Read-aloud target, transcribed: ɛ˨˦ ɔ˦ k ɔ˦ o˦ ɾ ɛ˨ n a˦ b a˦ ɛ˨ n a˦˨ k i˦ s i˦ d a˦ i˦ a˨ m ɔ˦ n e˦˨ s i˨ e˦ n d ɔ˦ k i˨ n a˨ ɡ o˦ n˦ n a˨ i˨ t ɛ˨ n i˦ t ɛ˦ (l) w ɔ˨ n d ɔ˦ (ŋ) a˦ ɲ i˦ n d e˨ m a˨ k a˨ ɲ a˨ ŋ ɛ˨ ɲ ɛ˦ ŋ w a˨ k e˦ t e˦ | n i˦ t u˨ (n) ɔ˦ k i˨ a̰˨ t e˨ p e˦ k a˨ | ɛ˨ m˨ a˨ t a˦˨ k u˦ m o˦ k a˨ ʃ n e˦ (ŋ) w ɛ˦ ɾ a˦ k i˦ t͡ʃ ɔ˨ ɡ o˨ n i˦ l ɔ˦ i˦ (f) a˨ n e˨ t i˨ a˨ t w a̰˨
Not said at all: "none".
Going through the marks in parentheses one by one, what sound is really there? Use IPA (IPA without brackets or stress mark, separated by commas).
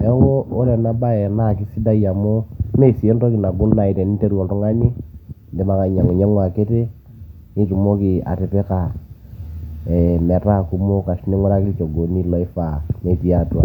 ɾ, ŋ, m, ŋ, f